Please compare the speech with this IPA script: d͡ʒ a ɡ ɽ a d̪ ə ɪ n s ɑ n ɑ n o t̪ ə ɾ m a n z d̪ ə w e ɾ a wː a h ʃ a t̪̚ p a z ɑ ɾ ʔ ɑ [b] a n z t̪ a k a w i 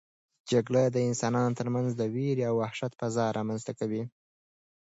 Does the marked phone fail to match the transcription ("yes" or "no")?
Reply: yes